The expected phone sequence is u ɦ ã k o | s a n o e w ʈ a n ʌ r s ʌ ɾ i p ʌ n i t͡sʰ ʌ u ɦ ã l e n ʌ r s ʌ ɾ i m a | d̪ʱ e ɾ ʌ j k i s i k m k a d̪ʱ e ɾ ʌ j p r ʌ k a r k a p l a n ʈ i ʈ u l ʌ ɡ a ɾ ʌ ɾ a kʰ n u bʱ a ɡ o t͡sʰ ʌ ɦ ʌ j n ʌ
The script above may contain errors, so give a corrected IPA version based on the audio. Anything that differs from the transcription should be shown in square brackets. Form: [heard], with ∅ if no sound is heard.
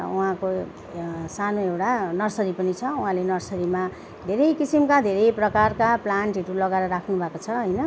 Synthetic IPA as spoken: u ɦ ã k o | s a n o e w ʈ a n ʌ r s ʌ ɾ i p ʌ n i t͡sʰ ʌ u ɦ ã l e n ʌ r s ʌ ɾ i m a | d̪ʱ e ɾ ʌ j k i s i [∅] m k a d̪ʱ e ɾ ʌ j p r ʌ k a r k a p l a n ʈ i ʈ u l ʌ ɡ a ɾ ʌ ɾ a kʰ n u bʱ a [k] o t͡sʰ ʌ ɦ ʌ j n ʌ